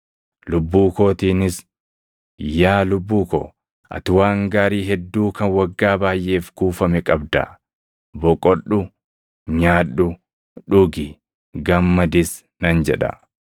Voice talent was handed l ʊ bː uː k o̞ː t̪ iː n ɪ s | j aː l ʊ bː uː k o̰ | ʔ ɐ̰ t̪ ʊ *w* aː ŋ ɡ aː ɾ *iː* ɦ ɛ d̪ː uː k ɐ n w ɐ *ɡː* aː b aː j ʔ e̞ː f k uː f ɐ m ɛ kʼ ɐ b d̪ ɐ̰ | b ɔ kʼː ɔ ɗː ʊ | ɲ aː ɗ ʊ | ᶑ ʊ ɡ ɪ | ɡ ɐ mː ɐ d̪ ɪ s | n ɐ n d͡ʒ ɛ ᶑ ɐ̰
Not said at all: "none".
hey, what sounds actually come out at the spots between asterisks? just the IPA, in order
w, iː, ɡː

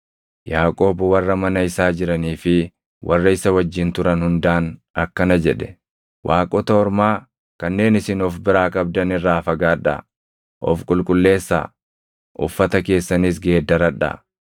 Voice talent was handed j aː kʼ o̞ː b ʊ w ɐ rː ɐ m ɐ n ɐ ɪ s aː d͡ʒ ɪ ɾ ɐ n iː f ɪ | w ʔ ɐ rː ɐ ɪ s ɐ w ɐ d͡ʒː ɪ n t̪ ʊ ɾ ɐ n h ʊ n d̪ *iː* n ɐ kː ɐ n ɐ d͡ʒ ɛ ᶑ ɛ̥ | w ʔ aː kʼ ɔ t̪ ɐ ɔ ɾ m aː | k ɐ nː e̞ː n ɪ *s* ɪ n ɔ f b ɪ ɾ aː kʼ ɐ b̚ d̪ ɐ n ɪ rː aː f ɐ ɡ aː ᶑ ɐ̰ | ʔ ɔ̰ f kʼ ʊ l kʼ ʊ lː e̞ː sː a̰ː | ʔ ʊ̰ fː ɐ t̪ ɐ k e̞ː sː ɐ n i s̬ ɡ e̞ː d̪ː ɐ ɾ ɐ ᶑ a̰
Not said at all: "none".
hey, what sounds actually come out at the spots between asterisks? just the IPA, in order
aː, s

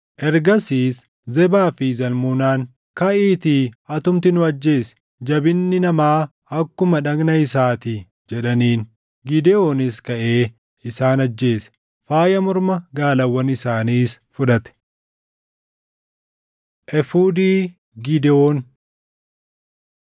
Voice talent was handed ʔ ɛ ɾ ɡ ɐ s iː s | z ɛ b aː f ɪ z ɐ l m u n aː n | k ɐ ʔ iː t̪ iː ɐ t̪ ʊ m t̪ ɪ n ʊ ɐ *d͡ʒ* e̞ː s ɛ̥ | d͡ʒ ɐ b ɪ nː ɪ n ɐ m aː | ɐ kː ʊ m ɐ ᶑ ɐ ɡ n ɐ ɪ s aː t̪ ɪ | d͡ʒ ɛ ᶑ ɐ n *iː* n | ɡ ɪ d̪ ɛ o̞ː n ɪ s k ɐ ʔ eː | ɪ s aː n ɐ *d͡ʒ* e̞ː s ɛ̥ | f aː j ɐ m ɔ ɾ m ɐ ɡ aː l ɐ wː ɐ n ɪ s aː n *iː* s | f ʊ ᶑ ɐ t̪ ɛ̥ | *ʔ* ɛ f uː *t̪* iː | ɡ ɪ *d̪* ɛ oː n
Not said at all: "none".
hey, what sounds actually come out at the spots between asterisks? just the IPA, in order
d͡ʒː, iː, d͡ʒː, iː, ʔ, d̪, d̪

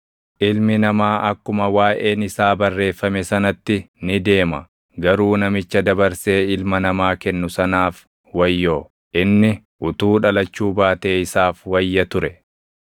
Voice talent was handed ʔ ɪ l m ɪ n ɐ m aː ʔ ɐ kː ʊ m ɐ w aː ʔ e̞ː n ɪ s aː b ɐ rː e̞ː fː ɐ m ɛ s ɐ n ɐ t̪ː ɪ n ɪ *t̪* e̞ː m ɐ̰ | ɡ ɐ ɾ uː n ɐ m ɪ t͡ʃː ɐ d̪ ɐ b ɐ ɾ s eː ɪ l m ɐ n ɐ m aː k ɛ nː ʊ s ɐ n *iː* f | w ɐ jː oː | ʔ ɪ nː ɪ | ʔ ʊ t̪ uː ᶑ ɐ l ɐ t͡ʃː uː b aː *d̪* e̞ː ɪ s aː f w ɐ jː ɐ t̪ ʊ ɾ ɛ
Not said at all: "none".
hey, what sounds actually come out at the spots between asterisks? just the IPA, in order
d̪, aː, t̪

